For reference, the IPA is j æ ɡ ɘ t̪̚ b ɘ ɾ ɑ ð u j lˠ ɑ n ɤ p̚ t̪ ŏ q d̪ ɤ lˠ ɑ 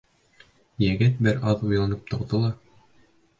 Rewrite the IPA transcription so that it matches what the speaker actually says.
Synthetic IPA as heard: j æ ɡ ɘ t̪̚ b ɘ ɾ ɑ ð u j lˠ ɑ n ɤ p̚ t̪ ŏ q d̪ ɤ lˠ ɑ